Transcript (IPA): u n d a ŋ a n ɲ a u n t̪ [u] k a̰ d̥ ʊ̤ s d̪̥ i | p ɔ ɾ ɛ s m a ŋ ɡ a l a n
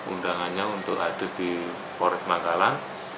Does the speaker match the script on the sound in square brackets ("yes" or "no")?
no